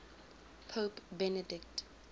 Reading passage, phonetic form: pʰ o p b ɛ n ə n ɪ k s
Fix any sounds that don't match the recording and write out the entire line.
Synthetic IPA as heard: pʰ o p b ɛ n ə d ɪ k t

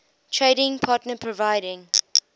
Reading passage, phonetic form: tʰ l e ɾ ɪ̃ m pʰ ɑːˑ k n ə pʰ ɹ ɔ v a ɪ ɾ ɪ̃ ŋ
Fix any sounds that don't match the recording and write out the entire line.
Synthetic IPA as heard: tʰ ɹ e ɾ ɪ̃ ŋ pʰ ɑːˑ t n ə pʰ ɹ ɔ v a ɪ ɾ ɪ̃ ŋ

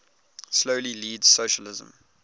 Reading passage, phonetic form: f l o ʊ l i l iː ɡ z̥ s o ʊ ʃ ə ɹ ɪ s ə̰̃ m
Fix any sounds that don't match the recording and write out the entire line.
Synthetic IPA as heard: s l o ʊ l i l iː d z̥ s o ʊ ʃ ə l ɪ z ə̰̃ m

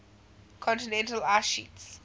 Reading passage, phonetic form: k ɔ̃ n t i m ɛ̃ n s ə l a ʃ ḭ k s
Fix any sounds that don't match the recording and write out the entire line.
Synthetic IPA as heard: kʰ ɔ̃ n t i n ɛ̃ n t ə l a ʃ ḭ t s

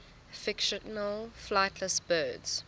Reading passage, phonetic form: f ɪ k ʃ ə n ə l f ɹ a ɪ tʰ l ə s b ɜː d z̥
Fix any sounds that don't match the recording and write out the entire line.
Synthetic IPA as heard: f ɪ k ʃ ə n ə l f l a ɪ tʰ l ə s b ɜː d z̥

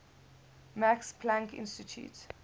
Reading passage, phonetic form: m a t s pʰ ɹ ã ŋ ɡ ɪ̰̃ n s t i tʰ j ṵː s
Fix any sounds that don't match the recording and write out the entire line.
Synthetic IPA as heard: m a k s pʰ l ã ŋ k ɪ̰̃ n s t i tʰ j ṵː t

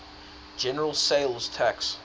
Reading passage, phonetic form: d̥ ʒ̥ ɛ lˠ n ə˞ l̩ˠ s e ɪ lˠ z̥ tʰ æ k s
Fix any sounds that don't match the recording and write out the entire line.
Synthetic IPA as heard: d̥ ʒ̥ ɛ n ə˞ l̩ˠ s e ɪ lˠ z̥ tʰ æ k s

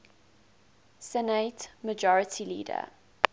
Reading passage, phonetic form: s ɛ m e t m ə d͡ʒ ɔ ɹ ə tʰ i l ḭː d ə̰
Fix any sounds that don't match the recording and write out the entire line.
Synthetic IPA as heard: s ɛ n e t m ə d͡ʒ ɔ ɹ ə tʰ i l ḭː d ə̰

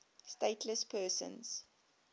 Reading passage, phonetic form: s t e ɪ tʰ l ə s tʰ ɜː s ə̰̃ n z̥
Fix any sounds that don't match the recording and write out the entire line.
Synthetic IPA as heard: s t e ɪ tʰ l ə s pʰ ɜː s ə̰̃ n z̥

